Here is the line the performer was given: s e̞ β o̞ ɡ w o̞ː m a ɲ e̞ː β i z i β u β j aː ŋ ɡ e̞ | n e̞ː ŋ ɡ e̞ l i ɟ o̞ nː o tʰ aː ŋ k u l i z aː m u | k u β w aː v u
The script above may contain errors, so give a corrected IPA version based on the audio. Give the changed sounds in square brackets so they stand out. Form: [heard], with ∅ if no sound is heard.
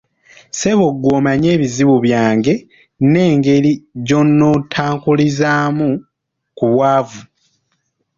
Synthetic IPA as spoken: s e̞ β o̞ ɡ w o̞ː m a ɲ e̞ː β i z i β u β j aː ŋ ɡ e̞ | n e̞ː ŋ ɡ e̞ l i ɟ o̞ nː o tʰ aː ŋ k u l i z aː m u | k u β w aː v u